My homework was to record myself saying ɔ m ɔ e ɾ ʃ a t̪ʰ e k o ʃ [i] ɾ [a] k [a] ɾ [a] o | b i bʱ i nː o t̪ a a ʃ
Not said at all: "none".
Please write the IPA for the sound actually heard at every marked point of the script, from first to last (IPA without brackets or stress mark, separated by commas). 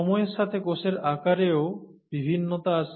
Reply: e, a, a, e